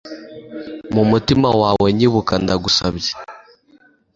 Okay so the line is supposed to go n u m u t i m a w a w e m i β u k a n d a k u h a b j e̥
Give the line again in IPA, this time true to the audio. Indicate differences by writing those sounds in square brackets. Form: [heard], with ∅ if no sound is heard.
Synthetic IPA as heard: [m] u m u t i m a w a w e [ɲ] i β u k a n d a [ɡ] u [s] a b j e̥